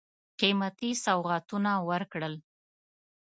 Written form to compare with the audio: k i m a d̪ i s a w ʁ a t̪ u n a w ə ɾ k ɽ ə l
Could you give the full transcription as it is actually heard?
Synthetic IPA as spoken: q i m a t̪ i s a w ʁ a t̪ u n a w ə ɾ k ɽ ə l